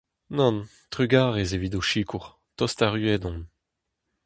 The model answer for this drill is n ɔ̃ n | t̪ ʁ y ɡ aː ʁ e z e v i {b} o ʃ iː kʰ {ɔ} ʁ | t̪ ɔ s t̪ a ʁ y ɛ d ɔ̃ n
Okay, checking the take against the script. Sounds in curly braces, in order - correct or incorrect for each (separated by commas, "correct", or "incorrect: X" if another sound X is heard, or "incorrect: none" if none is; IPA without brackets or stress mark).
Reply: incorrect: d, incorrect: u